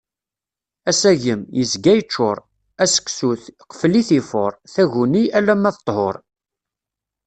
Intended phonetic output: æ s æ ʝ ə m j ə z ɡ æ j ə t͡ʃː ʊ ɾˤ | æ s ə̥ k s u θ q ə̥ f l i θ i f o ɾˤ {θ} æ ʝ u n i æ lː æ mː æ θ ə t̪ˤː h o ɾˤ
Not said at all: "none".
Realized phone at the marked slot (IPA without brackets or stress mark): θ